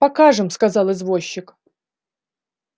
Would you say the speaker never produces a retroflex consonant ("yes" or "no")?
no